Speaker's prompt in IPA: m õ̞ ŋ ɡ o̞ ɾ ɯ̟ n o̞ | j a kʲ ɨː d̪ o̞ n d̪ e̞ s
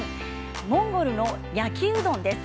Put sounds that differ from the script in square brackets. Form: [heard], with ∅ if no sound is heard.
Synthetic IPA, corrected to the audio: m õ̞ ŋ ɡ o̞ ɾ ɯ̟ n o̞ | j a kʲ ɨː d̪ [õ̞] n d̪ e̞ s